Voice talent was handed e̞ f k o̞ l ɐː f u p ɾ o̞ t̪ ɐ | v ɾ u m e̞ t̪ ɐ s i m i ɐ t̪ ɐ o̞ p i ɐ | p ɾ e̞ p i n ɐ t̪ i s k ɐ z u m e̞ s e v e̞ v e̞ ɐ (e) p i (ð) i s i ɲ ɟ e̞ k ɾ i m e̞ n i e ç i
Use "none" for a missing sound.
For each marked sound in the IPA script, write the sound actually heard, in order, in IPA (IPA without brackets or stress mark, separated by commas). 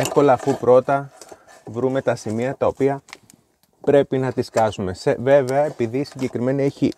e, ð